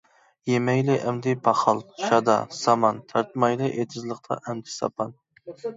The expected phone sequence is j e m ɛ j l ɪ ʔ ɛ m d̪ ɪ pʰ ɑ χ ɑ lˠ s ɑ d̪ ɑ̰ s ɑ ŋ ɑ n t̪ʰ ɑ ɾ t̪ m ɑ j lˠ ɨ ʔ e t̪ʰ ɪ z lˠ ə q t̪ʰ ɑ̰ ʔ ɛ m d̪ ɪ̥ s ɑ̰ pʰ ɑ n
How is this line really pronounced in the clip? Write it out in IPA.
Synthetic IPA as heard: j e m ɛ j l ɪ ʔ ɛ m d̪ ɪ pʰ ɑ χ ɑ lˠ ʃ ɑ d̪ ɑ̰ s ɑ m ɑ n t̪ʰ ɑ ɾ t̪ m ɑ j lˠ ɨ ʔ e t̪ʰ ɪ z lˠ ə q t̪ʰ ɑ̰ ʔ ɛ m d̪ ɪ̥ s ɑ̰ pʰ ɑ n